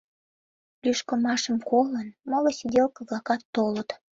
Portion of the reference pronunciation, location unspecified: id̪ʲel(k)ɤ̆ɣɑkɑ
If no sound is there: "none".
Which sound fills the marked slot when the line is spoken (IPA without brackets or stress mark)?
k